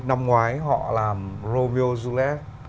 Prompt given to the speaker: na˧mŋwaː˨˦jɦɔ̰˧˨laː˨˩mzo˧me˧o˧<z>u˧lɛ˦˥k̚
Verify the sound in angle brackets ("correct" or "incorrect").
correct